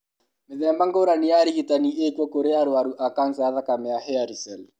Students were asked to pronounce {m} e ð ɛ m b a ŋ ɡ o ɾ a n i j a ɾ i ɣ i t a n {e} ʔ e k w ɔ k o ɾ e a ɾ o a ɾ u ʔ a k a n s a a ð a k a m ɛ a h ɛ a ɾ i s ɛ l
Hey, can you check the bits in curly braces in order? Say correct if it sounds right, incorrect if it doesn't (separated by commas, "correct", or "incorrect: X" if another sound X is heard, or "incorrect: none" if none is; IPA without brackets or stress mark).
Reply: correct, incorrect: i